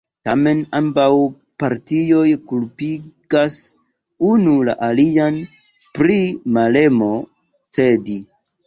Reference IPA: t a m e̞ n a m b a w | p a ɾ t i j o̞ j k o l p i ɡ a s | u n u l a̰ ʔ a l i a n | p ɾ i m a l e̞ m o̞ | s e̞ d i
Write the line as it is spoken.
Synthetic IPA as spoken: t a m e̞ n a m b a w | p a ɾ t i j o̞ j k u l p i ɡ a s | u n u l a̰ ʔ a l i a n | p ɾ i m a l e̞ m o̞ | s e̞ d i